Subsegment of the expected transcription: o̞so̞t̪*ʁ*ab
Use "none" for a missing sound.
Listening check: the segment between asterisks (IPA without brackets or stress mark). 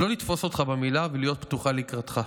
χ